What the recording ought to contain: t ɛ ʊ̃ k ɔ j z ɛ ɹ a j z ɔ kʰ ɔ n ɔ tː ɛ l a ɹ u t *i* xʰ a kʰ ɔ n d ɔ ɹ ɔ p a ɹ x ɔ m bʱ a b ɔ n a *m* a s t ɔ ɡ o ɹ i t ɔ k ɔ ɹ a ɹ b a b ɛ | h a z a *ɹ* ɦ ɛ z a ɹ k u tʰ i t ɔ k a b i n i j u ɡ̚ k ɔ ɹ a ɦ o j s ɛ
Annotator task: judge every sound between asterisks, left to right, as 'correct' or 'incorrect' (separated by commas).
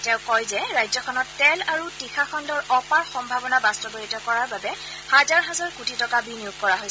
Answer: correct, incorrect, correct